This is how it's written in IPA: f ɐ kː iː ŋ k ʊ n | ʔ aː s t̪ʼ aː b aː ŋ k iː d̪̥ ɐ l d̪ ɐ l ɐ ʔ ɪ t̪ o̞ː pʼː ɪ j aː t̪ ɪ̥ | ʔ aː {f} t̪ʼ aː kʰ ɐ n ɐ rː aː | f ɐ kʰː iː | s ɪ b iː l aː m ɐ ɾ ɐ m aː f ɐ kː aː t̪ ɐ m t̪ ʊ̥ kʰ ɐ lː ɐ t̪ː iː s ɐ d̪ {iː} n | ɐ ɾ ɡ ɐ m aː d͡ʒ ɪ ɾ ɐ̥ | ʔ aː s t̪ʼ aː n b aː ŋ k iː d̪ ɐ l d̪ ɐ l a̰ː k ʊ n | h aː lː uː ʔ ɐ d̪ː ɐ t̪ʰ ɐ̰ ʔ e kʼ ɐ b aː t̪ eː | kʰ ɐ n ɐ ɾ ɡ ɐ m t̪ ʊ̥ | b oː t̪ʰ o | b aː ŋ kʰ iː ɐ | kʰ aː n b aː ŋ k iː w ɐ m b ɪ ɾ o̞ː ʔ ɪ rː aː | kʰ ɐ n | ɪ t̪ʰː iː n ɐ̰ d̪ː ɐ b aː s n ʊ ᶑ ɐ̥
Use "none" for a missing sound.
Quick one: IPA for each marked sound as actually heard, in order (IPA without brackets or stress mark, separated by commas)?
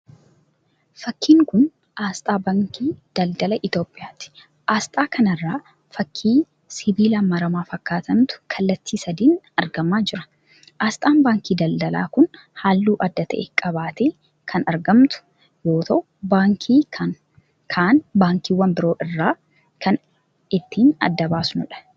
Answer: s, iː